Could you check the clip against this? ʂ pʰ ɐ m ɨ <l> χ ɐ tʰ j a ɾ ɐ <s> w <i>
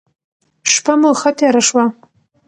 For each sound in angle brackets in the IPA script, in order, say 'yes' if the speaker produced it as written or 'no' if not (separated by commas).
yes, no, no